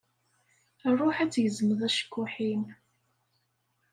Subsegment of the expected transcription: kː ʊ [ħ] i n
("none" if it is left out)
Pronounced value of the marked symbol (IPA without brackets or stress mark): ħ